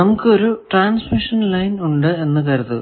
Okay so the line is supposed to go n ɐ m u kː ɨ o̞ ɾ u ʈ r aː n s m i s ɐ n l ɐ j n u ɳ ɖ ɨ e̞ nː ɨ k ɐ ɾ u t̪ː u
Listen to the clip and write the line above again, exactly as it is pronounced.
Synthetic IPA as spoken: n ɐ m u kː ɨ o̞ ɾ u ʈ r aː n s m i ʂ ɐ n l ɐ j n u ɳ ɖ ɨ e̞ nː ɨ k ɐ ɾ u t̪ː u